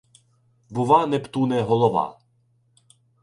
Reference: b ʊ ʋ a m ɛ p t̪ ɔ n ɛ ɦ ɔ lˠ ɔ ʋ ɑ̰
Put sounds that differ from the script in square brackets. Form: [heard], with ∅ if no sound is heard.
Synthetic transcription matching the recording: b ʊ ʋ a [n] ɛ p t̪ [u] n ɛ ɦ ɔ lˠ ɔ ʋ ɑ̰